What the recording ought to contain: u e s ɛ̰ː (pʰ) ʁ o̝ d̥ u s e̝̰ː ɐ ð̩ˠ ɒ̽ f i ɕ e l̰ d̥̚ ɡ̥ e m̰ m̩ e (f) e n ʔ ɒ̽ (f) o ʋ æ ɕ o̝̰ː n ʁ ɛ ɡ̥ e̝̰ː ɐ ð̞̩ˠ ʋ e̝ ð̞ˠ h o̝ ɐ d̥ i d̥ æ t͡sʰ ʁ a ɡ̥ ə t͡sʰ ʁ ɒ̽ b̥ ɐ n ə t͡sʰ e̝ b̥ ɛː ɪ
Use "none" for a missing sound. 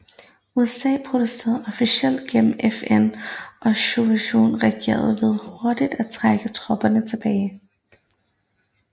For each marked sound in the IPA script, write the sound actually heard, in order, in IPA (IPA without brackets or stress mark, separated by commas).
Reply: pʰ, f, ɕ